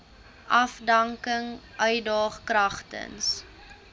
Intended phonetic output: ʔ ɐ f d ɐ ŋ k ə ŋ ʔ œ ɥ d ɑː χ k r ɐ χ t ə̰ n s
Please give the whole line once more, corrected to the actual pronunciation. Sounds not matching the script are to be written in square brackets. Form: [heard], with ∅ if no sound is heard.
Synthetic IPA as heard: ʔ ɐ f d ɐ ŋ k ə ŋ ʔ œ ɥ d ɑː χ k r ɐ χ t ə̰ n s